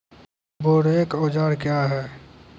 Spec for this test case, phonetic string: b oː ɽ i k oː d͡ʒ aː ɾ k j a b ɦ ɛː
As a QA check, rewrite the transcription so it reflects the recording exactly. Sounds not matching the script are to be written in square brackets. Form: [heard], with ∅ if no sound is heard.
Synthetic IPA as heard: b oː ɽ [e] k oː d͡ʒ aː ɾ k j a [∅] ɦ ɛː